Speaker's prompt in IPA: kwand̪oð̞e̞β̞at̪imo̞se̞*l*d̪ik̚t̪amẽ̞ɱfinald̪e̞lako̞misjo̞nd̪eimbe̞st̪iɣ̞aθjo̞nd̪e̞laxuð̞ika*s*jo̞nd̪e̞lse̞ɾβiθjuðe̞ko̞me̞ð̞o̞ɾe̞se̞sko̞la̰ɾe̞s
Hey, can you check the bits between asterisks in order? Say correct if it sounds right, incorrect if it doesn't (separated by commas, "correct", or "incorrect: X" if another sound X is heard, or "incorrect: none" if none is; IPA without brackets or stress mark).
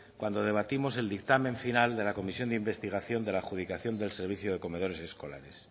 correct, incorrect: θ